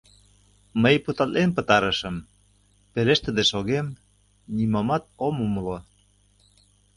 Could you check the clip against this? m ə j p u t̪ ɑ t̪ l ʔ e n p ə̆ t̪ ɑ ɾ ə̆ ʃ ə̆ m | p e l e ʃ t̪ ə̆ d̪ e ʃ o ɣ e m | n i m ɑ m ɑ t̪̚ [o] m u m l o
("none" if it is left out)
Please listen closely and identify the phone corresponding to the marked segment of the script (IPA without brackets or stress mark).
o